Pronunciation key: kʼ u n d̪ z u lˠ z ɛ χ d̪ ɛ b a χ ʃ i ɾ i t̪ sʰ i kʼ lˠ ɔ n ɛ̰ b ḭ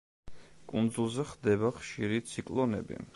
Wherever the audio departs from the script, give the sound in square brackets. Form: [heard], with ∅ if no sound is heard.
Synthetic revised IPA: kʼ u n d̪ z u lˠ z ɛ χ d̪ ɛ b a χ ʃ i ɾ i t̪ sʰ i kʼ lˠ ɔ n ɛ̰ b ḭ